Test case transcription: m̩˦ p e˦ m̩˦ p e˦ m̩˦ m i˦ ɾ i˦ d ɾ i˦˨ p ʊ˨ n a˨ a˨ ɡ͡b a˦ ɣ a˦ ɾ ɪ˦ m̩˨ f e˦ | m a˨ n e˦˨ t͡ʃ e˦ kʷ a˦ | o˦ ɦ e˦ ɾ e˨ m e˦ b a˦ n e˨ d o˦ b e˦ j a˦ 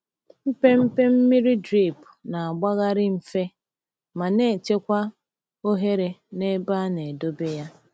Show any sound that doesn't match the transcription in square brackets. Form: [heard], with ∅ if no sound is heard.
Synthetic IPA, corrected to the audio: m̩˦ p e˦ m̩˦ p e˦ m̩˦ m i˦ ɾ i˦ d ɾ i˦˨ p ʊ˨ n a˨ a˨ ɡ͡b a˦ ɣ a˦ ɾ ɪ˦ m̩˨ f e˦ | m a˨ n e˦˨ t͡ʃ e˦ kʷ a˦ | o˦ ɦ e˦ ɾ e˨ [n] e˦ b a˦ n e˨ d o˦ b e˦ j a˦

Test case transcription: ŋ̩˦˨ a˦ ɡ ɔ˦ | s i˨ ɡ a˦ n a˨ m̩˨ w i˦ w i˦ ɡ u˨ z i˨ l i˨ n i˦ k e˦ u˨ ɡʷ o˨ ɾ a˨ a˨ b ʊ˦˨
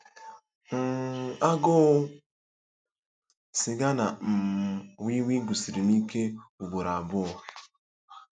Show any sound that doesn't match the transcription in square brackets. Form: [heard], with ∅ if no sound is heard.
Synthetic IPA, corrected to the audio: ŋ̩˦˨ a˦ ɡ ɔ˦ | s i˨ ɡ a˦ n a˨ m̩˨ w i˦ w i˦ ɡ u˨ [s] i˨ [ɾ] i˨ n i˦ k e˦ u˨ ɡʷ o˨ ɾ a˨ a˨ b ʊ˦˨

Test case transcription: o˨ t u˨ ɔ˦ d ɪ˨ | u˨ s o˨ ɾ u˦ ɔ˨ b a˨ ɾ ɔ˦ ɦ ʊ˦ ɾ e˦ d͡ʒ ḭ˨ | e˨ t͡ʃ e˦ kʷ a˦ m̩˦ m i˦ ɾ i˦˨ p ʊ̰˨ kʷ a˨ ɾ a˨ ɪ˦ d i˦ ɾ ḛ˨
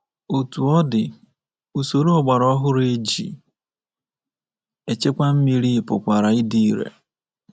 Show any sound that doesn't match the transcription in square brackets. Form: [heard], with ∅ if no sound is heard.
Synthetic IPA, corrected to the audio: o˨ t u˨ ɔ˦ d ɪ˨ | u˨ s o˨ ɾ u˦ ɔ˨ [ɡ͡b] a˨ ɾ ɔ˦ ɦ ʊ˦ ɾ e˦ d͡ʒ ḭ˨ | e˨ t͡ʃ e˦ kʷ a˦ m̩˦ m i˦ ɾ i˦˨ p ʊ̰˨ kʷ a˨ ɾ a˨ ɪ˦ d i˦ ɾ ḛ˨

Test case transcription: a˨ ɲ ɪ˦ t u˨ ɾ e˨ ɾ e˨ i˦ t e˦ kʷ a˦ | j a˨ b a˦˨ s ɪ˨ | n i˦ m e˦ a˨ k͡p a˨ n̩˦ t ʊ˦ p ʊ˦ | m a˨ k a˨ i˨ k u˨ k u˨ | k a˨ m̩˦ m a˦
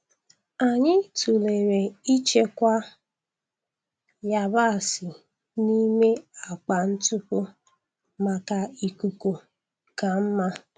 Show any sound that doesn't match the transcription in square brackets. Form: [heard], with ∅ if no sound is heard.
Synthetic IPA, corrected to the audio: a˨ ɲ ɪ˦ t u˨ [l] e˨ ɾ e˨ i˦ [t͡ʃ] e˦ kʷ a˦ | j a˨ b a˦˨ s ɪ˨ | n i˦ m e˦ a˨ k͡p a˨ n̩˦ t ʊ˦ p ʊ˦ | m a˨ k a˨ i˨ k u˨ k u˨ | k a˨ m̩˦ m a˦

